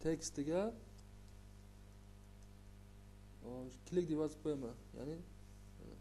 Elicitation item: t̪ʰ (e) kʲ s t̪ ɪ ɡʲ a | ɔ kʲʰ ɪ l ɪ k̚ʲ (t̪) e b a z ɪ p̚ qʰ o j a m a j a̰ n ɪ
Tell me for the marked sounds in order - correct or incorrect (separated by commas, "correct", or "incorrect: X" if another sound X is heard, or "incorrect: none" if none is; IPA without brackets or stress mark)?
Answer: correct, incorrect: d̪